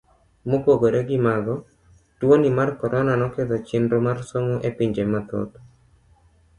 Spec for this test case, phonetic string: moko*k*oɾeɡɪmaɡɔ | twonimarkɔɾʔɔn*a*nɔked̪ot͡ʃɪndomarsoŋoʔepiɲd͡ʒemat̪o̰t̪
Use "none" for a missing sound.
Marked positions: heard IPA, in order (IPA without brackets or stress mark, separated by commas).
ɡ, a